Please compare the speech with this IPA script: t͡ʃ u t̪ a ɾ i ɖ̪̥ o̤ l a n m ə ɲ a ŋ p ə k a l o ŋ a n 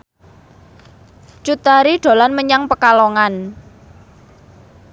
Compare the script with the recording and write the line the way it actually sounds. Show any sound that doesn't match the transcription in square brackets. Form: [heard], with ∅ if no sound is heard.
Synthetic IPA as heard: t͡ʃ u t̪ a ɾ i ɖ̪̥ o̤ l a n m ə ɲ a ŋ p ə k a l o ŋ a n